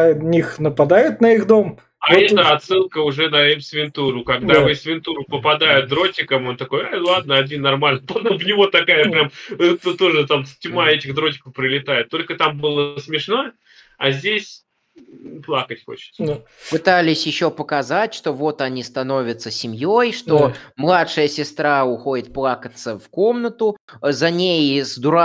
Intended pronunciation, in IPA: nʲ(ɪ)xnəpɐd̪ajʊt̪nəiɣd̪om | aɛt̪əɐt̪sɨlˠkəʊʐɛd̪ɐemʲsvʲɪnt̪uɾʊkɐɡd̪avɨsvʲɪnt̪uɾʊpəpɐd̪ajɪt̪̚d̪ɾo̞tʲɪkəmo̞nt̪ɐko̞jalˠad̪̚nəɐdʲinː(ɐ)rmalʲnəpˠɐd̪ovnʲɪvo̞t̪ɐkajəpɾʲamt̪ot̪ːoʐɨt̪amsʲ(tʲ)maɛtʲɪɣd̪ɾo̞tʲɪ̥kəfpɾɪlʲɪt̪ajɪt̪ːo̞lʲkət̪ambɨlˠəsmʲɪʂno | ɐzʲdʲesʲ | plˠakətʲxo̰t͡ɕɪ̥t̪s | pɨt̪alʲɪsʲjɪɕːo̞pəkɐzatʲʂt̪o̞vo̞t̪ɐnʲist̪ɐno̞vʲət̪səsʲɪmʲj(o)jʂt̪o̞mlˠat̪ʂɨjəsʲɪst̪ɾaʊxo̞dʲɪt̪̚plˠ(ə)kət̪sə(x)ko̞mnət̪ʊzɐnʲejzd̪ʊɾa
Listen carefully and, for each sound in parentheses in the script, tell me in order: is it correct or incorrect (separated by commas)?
incorrect, correct, correct, correct, incorrect, incorrect